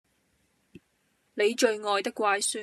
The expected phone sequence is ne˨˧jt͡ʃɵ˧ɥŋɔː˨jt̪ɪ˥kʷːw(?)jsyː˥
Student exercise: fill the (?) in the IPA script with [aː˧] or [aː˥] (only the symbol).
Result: aː˧